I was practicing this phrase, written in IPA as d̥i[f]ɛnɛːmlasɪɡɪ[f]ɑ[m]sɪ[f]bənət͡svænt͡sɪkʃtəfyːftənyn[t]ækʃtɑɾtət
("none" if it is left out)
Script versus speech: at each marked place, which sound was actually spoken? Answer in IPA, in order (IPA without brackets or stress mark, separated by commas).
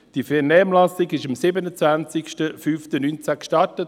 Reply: f, ʃ, m, none, t͡s